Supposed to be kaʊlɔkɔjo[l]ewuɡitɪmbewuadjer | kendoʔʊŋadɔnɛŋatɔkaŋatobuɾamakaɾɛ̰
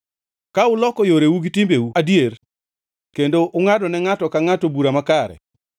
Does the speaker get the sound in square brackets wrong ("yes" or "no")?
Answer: yes